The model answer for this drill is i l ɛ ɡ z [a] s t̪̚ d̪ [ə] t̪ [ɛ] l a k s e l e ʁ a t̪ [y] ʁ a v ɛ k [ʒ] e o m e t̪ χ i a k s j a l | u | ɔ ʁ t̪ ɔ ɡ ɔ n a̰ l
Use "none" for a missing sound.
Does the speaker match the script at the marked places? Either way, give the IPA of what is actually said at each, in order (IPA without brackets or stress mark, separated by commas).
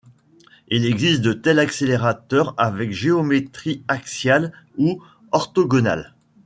i, ə, ɛ, œ, ʒ